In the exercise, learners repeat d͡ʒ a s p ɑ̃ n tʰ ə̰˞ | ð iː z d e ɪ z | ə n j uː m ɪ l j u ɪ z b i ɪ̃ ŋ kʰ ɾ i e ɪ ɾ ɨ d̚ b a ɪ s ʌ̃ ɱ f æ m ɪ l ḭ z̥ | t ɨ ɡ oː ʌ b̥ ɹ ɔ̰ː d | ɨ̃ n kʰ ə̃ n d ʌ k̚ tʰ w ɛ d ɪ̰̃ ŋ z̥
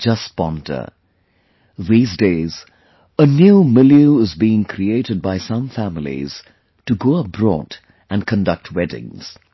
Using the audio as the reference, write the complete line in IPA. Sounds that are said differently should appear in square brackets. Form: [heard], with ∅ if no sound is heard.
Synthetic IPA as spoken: d͡ʒ [ʌ] s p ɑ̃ n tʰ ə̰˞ | ð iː z d e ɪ z | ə n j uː m ɪ l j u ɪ z b i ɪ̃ ŋ kʰ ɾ i e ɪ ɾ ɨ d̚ b a ɪ s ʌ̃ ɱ f æ m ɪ l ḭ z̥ | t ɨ ɡ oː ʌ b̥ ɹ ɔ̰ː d | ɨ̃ n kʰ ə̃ n d ʌ k̚ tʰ w ɛ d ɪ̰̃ ŋ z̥